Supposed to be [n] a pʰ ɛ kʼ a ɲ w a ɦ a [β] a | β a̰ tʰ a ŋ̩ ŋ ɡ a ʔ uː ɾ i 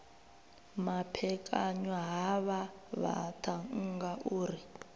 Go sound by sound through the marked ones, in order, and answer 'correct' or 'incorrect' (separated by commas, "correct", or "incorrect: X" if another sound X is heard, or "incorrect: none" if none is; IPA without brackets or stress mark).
incorrect: m, correct